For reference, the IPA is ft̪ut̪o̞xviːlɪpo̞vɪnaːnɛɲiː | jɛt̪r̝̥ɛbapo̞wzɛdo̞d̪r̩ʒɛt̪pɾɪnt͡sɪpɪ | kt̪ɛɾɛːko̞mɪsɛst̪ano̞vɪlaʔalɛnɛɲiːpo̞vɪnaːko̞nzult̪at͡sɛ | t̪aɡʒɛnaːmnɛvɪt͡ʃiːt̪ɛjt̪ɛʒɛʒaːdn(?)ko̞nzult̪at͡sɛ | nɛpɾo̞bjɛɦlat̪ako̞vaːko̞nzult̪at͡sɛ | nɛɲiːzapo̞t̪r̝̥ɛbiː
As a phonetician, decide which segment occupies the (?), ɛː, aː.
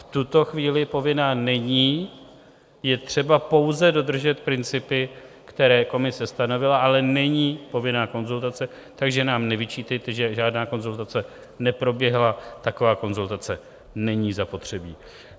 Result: aː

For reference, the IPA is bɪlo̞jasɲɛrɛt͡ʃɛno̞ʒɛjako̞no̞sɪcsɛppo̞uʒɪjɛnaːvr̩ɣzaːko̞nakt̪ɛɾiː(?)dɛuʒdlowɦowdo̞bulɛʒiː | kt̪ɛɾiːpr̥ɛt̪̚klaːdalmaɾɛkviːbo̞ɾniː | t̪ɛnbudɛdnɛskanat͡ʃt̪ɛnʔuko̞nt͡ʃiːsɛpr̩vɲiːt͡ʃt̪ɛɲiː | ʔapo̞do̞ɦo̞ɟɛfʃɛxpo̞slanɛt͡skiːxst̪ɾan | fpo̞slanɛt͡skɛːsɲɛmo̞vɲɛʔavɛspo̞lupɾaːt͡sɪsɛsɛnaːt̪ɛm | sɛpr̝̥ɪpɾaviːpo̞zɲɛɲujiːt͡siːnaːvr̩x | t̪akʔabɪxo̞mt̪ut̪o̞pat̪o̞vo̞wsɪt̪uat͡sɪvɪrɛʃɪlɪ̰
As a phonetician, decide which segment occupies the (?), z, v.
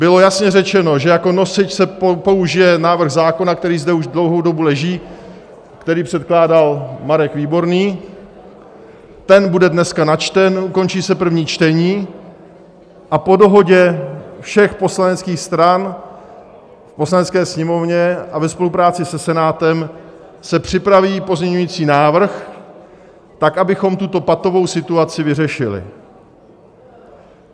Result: z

